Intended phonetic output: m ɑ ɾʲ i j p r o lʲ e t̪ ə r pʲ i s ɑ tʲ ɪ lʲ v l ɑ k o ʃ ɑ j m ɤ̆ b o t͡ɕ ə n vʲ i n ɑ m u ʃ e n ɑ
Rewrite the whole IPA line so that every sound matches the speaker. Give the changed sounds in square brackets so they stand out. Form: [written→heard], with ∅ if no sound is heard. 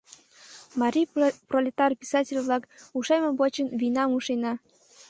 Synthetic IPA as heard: m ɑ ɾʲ i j p r o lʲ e t̪ [ə→ɑ] r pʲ i s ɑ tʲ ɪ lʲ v l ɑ k [o→u] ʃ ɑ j m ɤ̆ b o t͡ɕ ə n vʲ i n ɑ m u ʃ e n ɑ